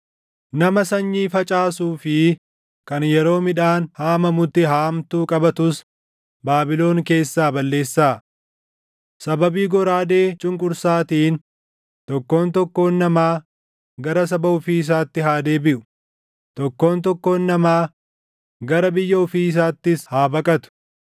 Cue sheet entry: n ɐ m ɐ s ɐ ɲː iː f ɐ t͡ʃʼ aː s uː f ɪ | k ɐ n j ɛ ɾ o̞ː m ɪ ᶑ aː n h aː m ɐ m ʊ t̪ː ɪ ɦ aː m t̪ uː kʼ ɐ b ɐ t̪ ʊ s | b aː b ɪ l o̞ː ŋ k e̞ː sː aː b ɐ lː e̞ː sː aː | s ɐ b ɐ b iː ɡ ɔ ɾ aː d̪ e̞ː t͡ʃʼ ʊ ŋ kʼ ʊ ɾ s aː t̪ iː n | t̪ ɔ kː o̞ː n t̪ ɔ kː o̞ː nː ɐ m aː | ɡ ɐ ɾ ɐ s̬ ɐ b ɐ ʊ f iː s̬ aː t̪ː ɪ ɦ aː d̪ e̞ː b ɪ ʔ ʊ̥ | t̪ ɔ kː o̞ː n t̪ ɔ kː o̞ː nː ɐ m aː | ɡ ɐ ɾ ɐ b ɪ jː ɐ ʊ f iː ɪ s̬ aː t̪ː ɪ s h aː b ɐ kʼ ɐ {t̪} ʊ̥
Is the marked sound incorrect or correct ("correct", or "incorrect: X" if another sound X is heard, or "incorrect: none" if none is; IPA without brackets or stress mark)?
correct